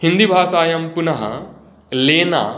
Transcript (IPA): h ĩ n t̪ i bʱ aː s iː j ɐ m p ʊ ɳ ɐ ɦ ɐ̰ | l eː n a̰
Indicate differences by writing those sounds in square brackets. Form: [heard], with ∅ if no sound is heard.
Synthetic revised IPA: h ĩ n [d̪] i bʱ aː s [aː] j ɐ m p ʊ [n] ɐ ɦ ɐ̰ | l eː n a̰